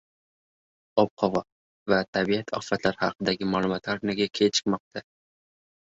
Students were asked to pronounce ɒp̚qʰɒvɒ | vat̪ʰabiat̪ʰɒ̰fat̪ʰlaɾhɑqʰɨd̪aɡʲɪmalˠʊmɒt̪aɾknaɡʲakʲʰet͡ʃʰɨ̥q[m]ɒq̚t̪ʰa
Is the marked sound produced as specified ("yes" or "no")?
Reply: yes